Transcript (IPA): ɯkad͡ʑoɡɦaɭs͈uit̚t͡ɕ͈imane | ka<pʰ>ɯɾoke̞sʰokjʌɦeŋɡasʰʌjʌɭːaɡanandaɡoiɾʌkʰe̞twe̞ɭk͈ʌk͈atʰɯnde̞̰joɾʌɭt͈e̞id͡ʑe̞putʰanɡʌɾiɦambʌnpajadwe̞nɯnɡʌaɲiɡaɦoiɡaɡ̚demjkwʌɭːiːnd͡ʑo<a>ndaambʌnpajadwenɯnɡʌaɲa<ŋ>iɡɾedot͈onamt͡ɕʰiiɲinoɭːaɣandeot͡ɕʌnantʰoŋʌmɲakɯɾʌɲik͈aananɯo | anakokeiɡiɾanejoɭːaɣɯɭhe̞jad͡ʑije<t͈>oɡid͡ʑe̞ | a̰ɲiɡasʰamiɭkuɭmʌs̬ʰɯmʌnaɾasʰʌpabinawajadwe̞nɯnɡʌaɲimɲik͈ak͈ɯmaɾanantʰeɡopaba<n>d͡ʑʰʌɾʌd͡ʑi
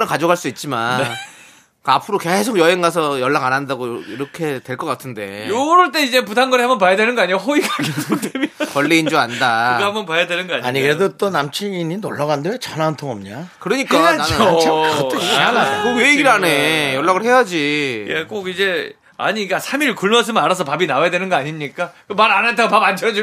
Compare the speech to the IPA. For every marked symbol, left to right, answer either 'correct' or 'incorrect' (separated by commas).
correct, correct, incorrect, incorrect, correct